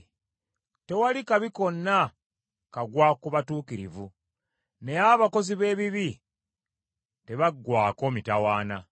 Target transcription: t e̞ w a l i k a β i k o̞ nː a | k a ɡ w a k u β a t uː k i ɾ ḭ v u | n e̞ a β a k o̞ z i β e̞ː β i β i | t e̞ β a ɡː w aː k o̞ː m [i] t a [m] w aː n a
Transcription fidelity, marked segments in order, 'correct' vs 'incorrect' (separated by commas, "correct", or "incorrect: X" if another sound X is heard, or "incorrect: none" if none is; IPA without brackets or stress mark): correct, incorrect: none